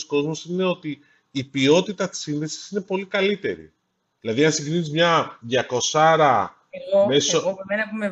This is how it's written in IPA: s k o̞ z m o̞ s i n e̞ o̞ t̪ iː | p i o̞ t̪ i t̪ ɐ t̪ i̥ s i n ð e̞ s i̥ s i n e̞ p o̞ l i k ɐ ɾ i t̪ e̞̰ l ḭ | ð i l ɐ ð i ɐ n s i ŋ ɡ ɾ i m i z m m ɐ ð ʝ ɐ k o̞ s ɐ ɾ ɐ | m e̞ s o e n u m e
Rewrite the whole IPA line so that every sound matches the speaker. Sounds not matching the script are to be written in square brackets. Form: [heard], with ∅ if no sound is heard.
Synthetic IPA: s k o̞ z m o̞ s i n e̞ o̞ t̪ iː | p i o̞ t̪ i t̪ ɐ t̪ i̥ s i n ð e̞ s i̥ s i n e̞ p o̞ l i k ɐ [l] i t̪ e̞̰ [ɾ] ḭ | ð i l ɐ ð i ɐ n s i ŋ ɡ ɾ i [n] i z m [ɲ] ɐ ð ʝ ɐ k o̞ s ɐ ɾ ɐ | m e̞ s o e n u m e